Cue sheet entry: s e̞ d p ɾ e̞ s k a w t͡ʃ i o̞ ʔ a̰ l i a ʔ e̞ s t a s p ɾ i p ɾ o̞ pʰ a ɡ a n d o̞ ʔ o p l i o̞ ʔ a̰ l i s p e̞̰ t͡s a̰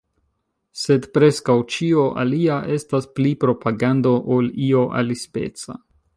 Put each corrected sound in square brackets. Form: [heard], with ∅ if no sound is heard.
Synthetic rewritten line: s e̞ d p ɾ e̞ s k a w t͡ʃ i o̞ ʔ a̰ l i a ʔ e̞ s t a s p [l] i p ɾ o̞ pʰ a ɡ a n d o̞ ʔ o [∅] l i o̞ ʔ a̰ l i s p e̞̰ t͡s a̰